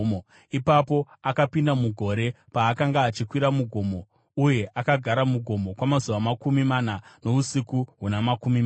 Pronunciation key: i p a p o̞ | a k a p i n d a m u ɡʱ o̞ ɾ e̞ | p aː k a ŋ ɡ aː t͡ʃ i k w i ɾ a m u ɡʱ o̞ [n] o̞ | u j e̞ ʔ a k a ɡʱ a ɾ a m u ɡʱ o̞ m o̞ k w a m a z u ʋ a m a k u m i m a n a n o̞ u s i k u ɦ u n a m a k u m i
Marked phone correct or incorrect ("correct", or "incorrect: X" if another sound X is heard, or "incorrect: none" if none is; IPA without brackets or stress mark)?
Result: incorrect: m